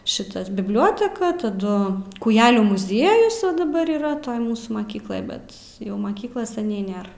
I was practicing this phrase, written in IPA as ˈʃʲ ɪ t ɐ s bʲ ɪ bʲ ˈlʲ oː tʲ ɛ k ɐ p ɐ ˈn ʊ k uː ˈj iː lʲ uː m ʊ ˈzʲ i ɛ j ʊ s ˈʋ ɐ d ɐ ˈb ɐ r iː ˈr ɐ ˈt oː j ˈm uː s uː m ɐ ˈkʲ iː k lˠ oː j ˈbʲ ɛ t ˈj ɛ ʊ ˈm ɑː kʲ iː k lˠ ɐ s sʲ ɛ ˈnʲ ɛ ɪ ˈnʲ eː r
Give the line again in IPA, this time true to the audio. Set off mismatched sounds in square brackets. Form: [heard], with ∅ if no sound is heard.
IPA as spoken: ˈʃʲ ɪ t ɐ s bʲ ɪ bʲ ˈlʲ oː tʲ ɛ k ɐ [t] ɐ [ˈd] ʊ k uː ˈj [æː] lʲ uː m ʊ ˈzʲ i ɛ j ʊ s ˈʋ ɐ d ɐ ˈb ɐ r iː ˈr ɐ ˈt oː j ˈm uː s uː m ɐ ˈkʲ iː k lˠ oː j ˈbʲ ɛ t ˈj ɛ ʊ ˈm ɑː kʲ iː k lˠ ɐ s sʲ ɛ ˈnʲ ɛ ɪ ˈnʲ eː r